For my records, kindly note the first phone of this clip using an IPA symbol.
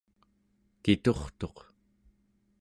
k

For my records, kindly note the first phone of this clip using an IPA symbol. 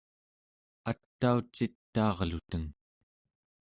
a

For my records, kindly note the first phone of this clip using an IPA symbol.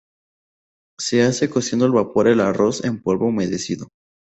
s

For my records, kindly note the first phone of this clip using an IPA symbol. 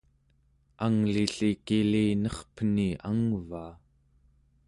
a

